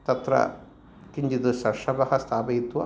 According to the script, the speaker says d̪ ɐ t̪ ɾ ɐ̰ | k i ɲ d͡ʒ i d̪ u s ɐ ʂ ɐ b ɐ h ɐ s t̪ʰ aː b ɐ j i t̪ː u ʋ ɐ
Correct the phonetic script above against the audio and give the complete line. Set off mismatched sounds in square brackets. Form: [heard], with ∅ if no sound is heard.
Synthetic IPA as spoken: [t̪] ɐ t̪ ɾ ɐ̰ | k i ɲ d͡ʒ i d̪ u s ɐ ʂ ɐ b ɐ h ɐ s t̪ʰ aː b ɐ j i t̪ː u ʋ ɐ